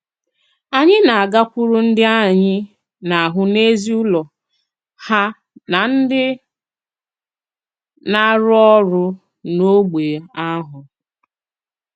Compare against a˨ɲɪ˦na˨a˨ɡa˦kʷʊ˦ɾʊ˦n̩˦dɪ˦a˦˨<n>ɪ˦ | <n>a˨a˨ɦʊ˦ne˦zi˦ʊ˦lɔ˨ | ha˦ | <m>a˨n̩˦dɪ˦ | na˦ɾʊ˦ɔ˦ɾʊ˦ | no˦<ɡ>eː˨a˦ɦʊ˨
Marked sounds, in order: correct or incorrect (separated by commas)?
incorrect, correct, incorrect, incorrect